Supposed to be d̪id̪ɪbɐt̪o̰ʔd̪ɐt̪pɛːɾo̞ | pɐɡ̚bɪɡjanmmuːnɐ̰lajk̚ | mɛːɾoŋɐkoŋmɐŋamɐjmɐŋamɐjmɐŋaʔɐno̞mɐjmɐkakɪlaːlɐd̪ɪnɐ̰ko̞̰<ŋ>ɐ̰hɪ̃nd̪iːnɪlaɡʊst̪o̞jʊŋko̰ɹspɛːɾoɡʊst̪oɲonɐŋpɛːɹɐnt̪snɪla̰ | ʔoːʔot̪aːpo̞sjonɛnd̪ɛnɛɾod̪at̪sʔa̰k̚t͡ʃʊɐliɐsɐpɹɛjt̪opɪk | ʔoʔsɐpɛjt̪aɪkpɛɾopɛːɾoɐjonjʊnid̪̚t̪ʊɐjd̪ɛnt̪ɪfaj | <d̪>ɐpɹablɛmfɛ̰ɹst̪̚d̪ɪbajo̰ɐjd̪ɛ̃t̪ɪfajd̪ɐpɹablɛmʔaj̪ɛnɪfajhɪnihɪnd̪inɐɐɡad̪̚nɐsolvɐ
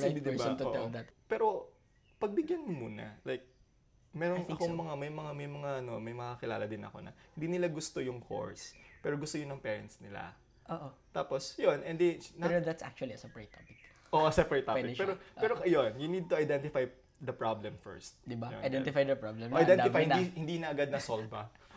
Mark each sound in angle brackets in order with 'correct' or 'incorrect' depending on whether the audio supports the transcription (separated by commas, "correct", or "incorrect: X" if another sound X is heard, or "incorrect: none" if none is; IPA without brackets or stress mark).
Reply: incorrect: n, correct